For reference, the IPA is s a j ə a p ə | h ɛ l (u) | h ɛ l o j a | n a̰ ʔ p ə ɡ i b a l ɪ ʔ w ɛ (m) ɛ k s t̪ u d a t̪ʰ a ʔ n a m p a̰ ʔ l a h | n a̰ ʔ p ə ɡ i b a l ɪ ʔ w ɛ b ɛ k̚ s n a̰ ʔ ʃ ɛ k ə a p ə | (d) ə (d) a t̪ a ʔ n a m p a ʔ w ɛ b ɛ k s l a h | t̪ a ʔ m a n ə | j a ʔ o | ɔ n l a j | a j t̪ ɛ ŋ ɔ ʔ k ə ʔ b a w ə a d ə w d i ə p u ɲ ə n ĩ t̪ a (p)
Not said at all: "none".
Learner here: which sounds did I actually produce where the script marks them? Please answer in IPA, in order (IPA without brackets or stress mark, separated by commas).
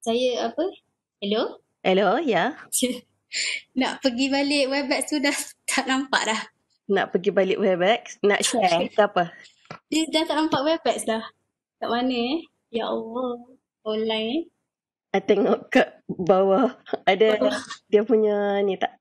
o, b, d, d, ʔ